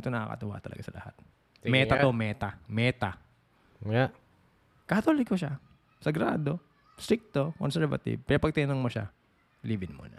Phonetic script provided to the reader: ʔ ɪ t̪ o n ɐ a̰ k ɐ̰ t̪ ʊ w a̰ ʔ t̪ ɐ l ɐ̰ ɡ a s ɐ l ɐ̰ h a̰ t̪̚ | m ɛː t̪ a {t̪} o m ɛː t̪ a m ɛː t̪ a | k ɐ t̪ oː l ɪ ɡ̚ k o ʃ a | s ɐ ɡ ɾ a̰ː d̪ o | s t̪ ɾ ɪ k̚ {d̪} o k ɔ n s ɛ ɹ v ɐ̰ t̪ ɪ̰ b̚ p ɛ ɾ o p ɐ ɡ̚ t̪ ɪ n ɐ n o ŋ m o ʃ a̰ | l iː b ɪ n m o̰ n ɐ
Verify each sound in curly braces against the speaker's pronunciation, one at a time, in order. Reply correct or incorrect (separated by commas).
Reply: correct, incorrect